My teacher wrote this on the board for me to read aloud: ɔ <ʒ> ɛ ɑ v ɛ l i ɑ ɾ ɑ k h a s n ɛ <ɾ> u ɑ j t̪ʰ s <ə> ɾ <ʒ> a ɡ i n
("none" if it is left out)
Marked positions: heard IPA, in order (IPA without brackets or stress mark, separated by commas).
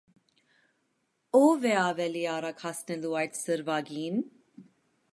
v, l, ə, v